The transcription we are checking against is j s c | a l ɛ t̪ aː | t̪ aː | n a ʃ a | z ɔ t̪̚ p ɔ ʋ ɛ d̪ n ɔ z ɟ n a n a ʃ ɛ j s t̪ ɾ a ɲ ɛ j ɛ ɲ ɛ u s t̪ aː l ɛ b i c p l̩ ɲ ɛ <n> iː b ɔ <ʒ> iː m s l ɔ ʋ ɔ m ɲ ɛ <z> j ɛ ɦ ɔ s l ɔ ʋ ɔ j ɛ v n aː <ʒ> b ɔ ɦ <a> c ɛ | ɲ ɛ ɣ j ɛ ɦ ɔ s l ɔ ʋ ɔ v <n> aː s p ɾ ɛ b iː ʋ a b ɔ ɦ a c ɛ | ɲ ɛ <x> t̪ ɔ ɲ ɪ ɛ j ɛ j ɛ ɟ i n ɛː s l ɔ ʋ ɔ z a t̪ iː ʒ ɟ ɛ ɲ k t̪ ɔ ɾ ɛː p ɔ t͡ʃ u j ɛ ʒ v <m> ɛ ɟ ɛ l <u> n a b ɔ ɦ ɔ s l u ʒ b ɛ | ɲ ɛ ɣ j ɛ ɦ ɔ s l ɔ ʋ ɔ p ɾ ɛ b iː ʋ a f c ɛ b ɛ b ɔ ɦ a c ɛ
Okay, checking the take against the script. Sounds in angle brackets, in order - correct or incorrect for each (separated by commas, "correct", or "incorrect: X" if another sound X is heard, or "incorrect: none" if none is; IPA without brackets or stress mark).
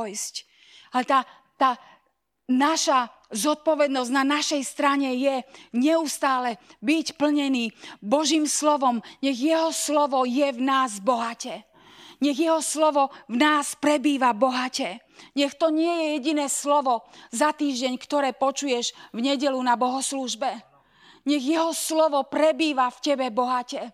correct, correct, incorrect: ɣ, incorrect: z, correct, correct, correct, incorrect: ɲ, correct